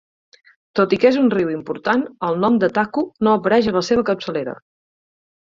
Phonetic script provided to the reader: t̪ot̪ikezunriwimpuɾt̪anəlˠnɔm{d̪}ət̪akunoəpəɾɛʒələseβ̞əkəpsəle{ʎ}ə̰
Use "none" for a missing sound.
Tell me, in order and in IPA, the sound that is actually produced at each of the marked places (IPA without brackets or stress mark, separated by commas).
d̪, ɾ